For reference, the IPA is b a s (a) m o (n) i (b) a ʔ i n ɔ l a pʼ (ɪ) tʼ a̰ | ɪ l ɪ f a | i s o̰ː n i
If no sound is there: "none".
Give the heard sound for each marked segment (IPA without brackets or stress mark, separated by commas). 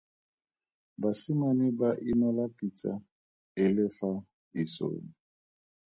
i, n, b, i